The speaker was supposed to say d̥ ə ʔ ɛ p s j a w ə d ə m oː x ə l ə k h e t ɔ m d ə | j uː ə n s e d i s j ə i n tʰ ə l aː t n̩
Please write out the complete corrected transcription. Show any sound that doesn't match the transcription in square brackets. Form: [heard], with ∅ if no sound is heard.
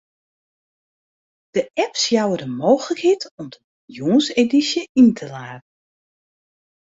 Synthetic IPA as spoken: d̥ ə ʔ ɛ p s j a w ə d ə m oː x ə l ə k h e t ɔ m d ə | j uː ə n s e d i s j ə i n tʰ ə l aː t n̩